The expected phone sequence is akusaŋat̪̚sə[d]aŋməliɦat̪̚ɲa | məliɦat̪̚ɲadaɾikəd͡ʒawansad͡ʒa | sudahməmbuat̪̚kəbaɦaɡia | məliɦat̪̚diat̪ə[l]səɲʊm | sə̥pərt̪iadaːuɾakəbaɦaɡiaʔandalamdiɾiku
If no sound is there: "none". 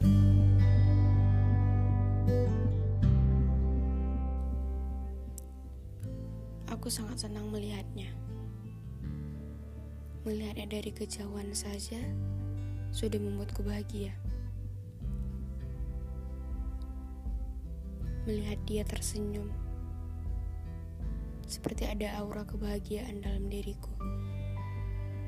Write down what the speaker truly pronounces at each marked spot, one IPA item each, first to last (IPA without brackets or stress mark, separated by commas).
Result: n, r